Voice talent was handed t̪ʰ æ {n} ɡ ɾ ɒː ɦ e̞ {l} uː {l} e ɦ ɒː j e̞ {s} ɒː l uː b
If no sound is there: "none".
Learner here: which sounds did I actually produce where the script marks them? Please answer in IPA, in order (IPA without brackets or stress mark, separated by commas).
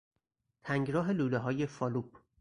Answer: ŋ, l, l, f